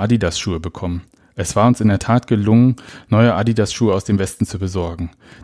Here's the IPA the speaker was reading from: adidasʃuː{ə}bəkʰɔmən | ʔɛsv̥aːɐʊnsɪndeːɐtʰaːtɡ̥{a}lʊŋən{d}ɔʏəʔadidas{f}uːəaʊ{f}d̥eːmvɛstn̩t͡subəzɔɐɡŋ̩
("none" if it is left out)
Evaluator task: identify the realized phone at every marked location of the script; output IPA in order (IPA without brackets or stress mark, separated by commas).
ə, ə, n, ʃ, s